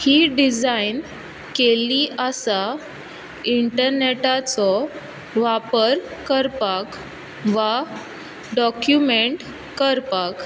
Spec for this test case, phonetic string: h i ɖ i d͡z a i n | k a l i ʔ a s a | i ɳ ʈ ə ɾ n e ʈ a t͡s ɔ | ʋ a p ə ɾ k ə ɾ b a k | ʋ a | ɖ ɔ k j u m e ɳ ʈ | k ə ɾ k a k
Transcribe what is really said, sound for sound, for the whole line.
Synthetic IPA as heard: h i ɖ i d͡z a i n | k e l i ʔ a s a | i ɳ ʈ ə ɾ n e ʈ a t͡s ɔ | ʋ a p ə ɾ k ə ɾ p a k | ʋ a | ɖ ɔ k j u m e ɳ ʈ | k ə ɾ p a k

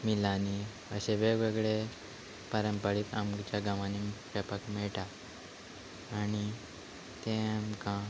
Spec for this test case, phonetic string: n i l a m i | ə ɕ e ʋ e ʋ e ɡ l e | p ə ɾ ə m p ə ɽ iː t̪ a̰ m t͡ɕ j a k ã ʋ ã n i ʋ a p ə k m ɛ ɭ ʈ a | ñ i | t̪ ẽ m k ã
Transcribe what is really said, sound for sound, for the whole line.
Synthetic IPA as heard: m i l a n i | ə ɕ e ʋ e ʋ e ɡ ɭ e | p ə ɾ ə m p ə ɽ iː t̪ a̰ m t͡ɕ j a ɡ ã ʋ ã n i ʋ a p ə k m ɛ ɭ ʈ a | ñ i | t̪ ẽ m k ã

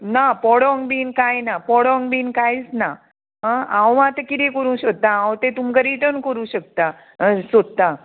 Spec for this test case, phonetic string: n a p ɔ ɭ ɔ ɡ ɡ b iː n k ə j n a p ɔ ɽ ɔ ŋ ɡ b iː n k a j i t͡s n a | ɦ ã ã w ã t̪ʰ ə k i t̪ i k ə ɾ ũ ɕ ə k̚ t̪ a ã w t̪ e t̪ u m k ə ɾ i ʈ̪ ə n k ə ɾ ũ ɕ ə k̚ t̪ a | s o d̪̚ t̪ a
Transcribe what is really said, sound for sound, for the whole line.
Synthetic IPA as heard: n a p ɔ ɽ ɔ ŋ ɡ b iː n k a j n a p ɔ ɽ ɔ ŋ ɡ b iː n k a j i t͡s n a | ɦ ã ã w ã t̪ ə k i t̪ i k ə ɾ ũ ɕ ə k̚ t̪ a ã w t̪ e t̪ u m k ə ɾ i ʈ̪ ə n k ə ɾ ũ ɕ ə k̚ t̪ a | s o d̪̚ t̪ a

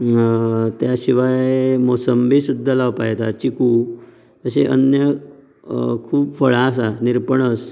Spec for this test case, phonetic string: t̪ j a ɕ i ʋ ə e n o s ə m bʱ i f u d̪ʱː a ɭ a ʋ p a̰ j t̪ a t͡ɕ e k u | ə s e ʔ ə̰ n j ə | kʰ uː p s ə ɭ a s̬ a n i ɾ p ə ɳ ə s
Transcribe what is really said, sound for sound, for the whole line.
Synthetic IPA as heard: t̪ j a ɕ i ʋ a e m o s ə m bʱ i s u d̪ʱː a l a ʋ p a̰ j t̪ a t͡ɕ i k u | ə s e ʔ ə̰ n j ə | kʰ uː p f ə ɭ a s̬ a n i ɾ p ə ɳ ə s

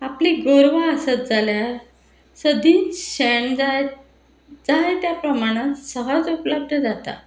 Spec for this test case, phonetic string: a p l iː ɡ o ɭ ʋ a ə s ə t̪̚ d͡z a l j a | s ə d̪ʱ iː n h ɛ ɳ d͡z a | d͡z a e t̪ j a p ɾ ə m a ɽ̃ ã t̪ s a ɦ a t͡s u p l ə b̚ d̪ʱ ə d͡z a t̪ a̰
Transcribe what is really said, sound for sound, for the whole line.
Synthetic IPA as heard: a p l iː ɡ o ɾ ʋ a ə s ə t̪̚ d͡z a l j a | s ə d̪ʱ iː n ɕ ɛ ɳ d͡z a | d͡z a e t̪ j a p ɾ ə m a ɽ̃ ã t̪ s ə ɦ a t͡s u p l ə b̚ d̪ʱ ə d͡z a t̪ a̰

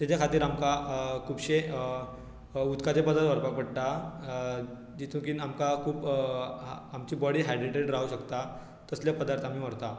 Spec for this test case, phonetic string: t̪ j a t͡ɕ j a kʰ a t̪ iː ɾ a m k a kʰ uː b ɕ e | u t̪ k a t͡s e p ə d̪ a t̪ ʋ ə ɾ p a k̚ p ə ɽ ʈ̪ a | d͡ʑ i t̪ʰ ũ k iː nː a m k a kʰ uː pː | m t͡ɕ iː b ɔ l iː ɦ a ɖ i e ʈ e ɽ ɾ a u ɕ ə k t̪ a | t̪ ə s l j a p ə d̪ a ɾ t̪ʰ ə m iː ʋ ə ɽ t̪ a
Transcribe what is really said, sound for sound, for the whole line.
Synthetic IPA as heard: t̪ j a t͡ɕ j a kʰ a t̪ iː ɾ a m k a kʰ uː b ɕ e | u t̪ k a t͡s e p ə d̪ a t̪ ʋ ə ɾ p a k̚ p ə ɽ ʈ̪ a | d͡ʑ i t̪ʰ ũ k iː n a m k a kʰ uː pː | m t͡ɕ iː b ɔ ɽ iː ɦ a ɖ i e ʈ e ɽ ɾ a u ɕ ə k t̪ a | t̪ ə s l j a p ə d̪ a ɾ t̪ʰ a m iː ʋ ə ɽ t̪ a

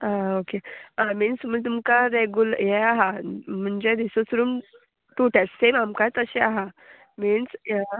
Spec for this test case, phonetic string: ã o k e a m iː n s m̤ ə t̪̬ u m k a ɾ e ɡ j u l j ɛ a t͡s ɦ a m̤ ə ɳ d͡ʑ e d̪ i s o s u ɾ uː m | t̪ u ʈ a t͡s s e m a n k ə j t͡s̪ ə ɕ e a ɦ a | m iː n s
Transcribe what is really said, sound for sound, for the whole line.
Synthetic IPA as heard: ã o k e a m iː n s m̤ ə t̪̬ u m k a ɾ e ɡ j u l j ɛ a ɦ a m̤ ə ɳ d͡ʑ e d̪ i s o s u ɾ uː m | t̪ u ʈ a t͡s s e m a m k a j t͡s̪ ə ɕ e a ɦ a | m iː n s

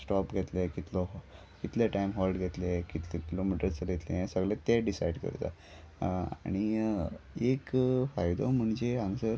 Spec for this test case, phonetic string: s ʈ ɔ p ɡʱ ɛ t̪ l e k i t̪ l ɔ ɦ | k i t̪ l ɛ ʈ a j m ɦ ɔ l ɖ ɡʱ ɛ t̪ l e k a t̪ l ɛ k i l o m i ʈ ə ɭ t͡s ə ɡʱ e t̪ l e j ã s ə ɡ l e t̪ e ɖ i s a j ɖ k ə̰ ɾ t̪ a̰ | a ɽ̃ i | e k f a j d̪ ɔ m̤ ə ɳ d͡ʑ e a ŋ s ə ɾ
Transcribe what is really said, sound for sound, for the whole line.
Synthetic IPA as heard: s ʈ ɔ p ɡʱ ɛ t̪ l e k i t̪ l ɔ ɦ | k i t̪ l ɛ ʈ a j m ɦ ɔ l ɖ ɡʱ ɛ t̪ l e k i t̪ l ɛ k i l o m i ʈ ə ɾ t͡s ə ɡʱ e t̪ l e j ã s ə ɡ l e t̪ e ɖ i s a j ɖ k ə̰ ɾ t̪ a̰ | a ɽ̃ i | e k f a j d̪ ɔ m̤ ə ɳ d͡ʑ e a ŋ s ə ɾ

